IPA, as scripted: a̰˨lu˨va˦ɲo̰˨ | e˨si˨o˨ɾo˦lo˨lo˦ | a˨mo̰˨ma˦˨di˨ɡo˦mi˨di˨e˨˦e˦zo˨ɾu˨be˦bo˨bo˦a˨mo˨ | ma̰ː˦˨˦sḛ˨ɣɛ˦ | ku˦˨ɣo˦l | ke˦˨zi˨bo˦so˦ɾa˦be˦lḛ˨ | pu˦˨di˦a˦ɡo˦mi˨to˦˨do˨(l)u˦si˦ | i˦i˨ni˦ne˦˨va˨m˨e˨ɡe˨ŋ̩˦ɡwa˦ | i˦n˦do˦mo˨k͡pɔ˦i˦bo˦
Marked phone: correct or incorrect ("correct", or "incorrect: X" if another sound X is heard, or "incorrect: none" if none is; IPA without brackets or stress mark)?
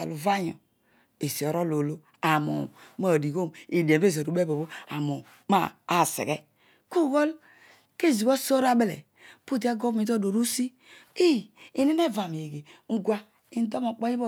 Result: incorrect: ɾ